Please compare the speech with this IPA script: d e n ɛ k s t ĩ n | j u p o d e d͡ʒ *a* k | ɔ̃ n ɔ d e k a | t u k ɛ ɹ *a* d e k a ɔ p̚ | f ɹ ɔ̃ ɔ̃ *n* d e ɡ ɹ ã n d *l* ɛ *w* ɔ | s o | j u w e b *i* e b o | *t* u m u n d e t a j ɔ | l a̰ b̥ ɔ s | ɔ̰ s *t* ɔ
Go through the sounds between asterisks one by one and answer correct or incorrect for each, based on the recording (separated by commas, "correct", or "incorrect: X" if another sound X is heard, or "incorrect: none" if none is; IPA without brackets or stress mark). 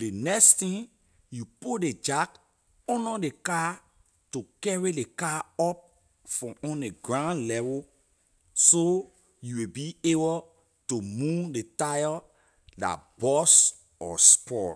correct, incorrect: i, correct, correct, incorrect: v, correct, correct, incorrect: p